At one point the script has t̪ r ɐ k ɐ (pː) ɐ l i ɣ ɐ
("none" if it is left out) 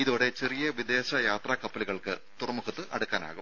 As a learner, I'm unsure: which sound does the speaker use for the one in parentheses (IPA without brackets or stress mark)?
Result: pː